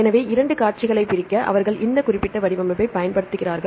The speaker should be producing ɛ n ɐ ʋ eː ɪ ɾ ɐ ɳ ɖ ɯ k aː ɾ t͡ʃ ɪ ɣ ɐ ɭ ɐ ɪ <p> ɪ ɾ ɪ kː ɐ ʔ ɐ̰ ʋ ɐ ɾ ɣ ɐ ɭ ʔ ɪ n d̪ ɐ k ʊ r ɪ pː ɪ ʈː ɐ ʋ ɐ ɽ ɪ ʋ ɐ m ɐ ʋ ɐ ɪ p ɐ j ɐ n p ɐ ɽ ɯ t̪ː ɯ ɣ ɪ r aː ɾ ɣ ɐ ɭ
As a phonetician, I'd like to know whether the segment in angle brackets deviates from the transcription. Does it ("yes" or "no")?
no